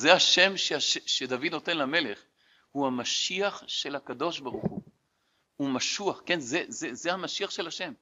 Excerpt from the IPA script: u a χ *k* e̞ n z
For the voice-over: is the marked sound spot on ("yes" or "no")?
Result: yes